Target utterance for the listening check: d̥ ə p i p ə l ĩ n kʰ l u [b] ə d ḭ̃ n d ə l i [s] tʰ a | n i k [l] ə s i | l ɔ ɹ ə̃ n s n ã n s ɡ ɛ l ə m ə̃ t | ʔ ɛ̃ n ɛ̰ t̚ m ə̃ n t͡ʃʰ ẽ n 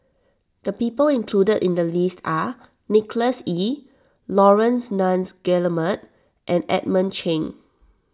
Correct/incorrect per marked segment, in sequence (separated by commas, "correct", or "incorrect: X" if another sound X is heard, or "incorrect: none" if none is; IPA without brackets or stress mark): incorrect: d, correct, correct